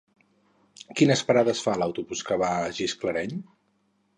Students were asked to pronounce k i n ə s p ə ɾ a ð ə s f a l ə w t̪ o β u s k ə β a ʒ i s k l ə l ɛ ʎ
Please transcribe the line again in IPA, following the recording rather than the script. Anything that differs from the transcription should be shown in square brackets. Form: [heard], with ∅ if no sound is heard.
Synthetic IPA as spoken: k i n ə s p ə ɾ a ð ə s f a l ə w t̪ [u] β u s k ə β a ʒ i s k l ə [ɾ] ɛ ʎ